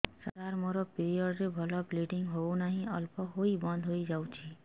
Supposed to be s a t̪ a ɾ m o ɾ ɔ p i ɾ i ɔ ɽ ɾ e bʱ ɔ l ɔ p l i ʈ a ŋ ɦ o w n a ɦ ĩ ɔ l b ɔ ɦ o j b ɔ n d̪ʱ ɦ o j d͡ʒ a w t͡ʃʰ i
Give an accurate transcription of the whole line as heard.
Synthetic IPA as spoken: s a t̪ a ɾ m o ɾ ɔ p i ɾ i ɔ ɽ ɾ e bʱ ɔ l ɔ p l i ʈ i ŋ ɦ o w n a ɦ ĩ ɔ l p ɔ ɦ o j b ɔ n d̪ʱ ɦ o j d͡ʒ a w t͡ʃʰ i